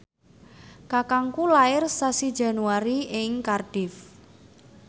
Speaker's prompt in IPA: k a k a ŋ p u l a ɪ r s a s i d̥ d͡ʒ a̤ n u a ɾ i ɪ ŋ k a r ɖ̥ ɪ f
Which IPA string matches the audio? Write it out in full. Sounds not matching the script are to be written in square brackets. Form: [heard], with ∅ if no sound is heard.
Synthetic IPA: k a k a ŋ [k] u l a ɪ r s a s i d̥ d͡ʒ a̤ n u a ɾ i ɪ ŋ k a r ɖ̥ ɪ f